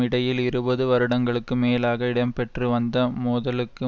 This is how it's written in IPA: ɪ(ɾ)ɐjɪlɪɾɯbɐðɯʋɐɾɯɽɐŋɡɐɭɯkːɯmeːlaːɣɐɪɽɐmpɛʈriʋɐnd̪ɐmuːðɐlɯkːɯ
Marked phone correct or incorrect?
incorrect